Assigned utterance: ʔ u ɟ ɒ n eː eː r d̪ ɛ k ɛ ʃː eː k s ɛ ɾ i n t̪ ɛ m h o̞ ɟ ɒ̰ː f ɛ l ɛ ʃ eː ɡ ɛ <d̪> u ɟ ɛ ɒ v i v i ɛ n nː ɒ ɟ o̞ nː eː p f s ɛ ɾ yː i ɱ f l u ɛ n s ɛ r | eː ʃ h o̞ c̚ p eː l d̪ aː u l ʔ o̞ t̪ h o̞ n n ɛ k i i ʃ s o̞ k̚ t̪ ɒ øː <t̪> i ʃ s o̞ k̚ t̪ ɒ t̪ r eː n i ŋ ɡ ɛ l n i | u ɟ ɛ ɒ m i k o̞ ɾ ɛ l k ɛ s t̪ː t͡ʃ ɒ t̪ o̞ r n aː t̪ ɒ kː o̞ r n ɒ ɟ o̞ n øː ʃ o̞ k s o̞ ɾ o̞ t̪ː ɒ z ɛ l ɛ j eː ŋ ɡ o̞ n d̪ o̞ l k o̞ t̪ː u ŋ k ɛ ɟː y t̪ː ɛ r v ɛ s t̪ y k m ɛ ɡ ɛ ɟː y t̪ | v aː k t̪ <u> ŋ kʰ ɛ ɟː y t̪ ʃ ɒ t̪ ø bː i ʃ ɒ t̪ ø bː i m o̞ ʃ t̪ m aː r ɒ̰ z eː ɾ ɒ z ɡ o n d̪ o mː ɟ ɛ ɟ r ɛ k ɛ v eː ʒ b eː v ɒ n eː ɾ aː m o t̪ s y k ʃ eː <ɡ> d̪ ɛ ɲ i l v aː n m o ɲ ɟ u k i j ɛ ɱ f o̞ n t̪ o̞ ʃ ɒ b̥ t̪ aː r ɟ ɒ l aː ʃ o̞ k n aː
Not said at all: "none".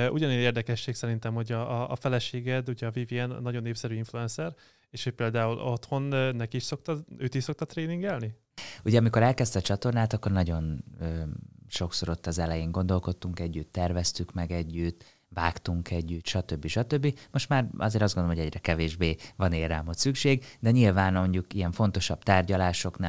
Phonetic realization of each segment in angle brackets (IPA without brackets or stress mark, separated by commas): d̪, t̪, u, ɡ